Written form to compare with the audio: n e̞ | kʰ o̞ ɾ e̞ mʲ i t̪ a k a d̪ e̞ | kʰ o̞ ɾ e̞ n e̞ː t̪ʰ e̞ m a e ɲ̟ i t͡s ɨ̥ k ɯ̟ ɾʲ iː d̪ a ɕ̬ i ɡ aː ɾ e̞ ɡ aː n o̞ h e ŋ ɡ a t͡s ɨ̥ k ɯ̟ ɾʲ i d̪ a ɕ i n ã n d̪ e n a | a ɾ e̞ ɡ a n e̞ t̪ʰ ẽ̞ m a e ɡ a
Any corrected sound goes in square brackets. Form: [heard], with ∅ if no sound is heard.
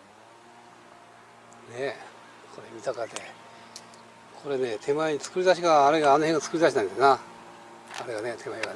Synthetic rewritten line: n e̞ | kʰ o̞ ɾ e̞ mʲ i t̪ a k a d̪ e̞ | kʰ o̞ ɾ e̞ n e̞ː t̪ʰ e̞ m a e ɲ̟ i t͡s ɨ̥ k ɯ̟ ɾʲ [i] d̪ a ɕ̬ i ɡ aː ɾ e̞ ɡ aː n o̞ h e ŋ ɡ a t͡s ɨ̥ k ɯ̟ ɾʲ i d̪ a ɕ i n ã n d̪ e n a | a ɾ e̞ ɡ a n e̞ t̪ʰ [e̞] m a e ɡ a